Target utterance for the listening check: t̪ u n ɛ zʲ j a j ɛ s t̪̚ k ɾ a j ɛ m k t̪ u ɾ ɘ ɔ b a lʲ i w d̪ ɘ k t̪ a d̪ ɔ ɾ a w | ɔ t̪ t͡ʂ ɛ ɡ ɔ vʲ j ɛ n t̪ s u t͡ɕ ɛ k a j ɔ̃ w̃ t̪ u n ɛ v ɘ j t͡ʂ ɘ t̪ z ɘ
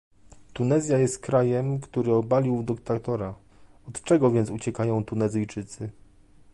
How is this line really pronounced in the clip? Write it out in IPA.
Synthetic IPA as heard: t̪ u n ɛ zʲ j a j ɛ s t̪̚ k ɾ a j ɛ m k t̪ u ɾ ɘ ɔ b a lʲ i w d̪ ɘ k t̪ a t̪ ɔ ɾ a | ɔ t̪ t͡ʂ ɛ ɡ ɔ vʲ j ɛ n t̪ s u t͡ɕ ɛ k a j ɔ̃ w̃ t̪ u n ɛ z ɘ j t͡ʂ ɘ t̪ s ɘ